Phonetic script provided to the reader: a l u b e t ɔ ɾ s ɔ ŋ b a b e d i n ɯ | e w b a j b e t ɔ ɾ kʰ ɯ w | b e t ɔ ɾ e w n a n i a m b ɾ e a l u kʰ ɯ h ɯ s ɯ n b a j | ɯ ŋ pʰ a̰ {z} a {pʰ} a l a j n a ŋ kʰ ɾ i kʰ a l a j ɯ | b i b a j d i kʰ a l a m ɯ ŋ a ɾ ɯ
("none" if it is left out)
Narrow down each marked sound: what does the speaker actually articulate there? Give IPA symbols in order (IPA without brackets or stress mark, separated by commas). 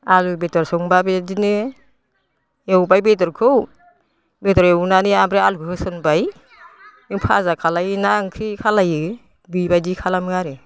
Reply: z, kʰ